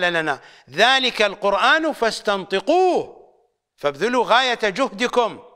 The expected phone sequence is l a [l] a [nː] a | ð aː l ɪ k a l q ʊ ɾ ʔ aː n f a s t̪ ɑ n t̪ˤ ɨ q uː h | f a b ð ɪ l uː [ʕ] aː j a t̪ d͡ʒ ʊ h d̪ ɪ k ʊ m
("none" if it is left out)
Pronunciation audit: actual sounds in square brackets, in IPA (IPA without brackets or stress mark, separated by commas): l, n, ɣ